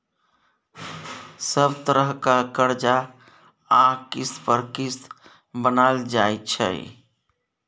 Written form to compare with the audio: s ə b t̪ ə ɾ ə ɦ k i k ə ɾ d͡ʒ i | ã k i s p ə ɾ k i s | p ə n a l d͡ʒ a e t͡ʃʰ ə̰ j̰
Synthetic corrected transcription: s ə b t̪ ə ɾ ə ɦ k a k ə ɾ d͡ʒ a | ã k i s p ə ɾ k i s | b ə n a l d͡ʒ a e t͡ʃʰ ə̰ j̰